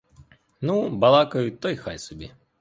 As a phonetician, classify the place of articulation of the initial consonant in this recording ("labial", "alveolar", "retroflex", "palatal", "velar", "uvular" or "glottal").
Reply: alveolar